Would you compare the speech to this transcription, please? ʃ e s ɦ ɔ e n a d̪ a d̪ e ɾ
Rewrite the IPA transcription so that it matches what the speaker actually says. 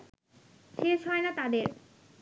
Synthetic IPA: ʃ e ʃ ɦ ɔ e n a t̪ a d̪ e ɾ